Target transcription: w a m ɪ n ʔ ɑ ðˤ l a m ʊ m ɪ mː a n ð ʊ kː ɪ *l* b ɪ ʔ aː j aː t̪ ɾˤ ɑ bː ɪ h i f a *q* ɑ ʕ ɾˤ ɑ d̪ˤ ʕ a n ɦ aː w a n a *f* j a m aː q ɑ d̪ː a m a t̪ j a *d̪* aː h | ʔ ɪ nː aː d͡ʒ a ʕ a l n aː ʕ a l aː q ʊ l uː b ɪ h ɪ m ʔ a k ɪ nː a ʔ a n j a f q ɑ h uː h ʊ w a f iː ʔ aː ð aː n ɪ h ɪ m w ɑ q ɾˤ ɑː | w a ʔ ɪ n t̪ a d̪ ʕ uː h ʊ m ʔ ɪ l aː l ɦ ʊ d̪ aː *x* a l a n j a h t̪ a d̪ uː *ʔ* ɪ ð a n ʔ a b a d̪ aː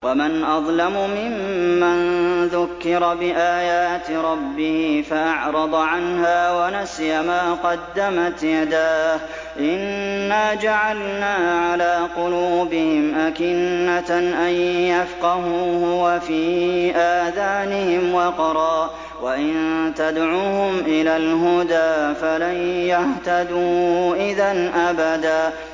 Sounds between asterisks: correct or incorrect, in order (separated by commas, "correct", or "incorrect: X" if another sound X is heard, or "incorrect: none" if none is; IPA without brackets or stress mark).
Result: incorrect: ɾ, incorrect: ʔ, incorrect: s, correct, incorrect: f, correct